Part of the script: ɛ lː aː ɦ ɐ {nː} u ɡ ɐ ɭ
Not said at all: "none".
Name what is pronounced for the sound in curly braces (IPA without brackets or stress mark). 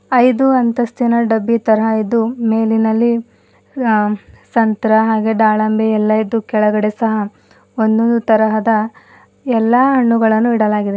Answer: ɳː